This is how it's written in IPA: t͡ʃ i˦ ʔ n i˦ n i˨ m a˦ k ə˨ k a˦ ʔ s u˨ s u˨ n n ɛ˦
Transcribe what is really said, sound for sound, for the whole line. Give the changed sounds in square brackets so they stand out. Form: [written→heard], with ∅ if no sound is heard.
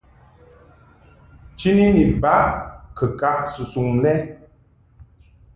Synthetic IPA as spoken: t͡ʃ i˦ [ʔ→∅] n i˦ n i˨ [m→b] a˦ k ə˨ k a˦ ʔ s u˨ s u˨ [n→ŋ] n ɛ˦